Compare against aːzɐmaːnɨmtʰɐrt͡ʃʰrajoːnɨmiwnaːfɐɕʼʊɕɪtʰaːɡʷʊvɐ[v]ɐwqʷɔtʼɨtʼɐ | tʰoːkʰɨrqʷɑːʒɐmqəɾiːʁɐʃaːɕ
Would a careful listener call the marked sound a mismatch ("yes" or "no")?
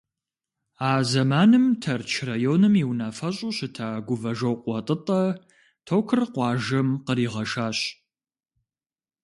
yes